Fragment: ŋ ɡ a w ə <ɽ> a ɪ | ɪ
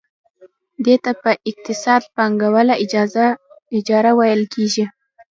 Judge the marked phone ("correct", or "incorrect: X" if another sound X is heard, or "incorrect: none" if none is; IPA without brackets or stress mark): incorrect: l